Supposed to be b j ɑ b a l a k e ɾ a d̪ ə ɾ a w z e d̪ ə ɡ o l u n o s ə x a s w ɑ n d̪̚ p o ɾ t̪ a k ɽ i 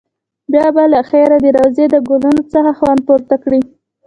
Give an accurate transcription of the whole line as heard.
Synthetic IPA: b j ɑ b a l a x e ɾ a d̪ ə ɾ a w z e d̪ ə ɡ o l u n o t͡s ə x a x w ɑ n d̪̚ p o ɾ t̪ a k ɽ i

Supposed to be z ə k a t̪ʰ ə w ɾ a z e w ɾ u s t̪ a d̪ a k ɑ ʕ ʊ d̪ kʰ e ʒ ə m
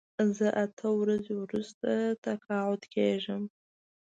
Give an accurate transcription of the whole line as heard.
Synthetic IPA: z ə ʔ a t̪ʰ ə w ɾ a z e w ɾ u s t̪ a t̪ a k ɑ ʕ ʊ d̪ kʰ e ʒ ə m

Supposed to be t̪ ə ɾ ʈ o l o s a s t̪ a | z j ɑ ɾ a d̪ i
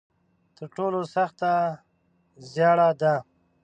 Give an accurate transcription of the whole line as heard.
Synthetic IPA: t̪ ə ɾ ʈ o l o s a x t̪ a | z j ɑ ɽ a d̪ a

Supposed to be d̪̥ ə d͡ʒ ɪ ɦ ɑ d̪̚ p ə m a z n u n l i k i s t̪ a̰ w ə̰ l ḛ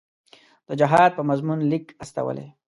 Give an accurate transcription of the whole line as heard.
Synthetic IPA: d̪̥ ə d͡ʒ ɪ ɦ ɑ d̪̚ p ə m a z m u n l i k a s t̪ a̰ w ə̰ l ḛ

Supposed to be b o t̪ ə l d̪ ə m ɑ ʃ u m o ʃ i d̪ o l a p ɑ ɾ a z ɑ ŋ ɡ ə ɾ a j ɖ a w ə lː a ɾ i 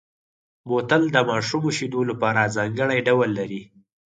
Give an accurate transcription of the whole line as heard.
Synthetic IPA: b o t̪ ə l d̪ ə m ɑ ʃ u m o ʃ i d̪ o l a p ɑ ɾ a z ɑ ŋ ɡ ə ɽ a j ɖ a w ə lː a ɾ i

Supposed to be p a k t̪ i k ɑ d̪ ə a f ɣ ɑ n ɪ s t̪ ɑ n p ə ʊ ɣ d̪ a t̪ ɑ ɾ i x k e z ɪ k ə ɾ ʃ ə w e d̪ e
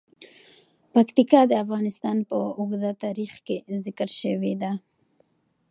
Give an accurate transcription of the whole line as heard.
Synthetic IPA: p a k t̪ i k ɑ d̪ ə a f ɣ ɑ n ɪ s t̪ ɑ n p ə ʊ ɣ d̪ a t̪ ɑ ɾ i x k e z ɪ k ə ɾ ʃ ə w e d̪ a

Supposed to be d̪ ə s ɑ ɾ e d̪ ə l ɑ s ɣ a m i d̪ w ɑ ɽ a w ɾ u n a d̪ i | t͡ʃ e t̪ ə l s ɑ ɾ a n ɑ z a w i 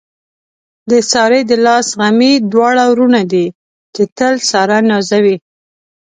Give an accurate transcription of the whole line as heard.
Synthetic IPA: d̪ ə s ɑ ɾ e d̪ ə l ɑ s ɣ a m i d̪ w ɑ ɽ a w ɾ u n a d̪ i | t͡ʃ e t̪ ə l s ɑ ɾ a n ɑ z a w i

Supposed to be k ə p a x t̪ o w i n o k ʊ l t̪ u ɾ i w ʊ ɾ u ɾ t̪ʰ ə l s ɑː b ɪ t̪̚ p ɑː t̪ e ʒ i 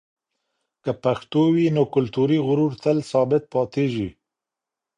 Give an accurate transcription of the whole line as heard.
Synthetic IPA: k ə p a x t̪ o w i n o k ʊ l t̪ u ɾ i ɣ ʊ ɾ u ɾ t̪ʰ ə l s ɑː b ɪ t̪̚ p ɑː t̪ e ʒ i

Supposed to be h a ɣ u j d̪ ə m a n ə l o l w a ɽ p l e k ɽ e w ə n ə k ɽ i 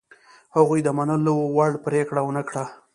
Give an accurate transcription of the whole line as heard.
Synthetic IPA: h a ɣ u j d̪ ə m a n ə l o w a ɽ p ɾ e k ɽ a w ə n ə k ɽ a

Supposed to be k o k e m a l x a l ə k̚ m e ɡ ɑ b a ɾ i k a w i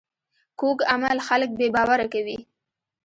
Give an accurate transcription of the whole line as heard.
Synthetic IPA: k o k a m a l x a l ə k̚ b e b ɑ w a ɾ a k a w i

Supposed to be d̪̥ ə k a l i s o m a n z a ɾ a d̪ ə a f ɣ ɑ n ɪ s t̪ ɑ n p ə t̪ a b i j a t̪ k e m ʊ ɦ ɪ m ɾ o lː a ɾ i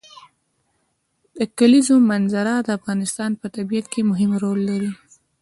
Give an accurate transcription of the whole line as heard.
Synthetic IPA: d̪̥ ə k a l i z o m a n z a ɾ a d̪ ə a f ɣ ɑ n ɪ s t̪ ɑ n p ə t̪ a b i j a t̪ k e m ʊ ɦ ɪ m ɾ o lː a ɾ i

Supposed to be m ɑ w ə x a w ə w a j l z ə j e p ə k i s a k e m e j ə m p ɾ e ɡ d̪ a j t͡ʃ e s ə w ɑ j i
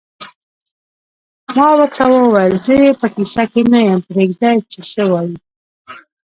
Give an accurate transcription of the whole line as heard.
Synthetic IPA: m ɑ w ə k a w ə w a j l z ə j e p ə k i s a k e m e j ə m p ɾ e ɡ d̪ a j t͡ʃ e s ə w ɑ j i

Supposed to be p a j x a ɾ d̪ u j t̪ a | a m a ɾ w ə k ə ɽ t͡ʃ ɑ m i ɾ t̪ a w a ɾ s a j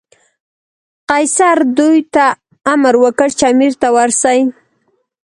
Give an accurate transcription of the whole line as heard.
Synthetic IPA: q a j s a ɾ d̪ u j t̪ a | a m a ɾ w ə k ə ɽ t͡ʃ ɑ m i ɾ t̪ a w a ɾ s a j

